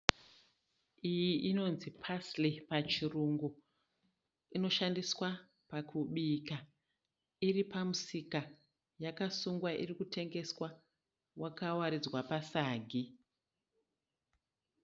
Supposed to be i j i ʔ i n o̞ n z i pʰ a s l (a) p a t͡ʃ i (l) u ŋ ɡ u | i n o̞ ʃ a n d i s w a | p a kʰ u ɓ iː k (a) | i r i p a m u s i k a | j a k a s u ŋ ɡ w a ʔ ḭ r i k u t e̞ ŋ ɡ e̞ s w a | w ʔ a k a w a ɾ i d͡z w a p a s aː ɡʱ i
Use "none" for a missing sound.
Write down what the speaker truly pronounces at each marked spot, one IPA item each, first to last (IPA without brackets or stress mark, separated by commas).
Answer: i, r, a